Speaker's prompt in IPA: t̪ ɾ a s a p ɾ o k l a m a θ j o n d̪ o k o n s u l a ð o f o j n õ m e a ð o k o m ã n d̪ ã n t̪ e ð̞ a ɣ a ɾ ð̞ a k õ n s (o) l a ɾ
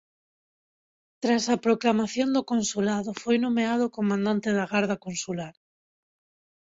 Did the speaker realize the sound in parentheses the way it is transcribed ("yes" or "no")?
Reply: no